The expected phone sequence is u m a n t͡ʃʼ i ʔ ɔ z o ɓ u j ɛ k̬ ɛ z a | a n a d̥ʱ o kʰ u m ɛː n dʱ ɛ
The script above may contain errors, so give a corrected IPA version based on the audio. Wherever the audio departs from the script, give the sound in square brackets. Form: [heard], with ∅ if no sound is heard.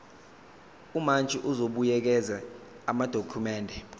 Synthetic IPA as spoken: u m a n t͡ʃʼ i ʔ [u] z o ɓ u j ɛ k̬ ɛ z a | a [m] a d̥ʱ o kʰ u m ɛː n dʱ ɛ